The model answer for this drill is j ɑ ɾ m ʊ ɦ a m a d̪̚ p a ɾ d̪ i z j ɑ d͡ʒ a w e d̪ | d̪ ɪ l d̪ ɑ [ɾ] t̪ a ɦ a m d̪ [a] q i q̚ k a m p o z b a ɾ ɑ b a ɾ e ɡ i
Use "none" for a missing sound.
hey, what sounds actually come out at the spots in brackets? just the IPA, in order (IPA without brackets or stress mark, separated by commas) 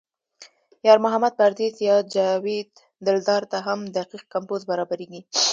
ɾ, a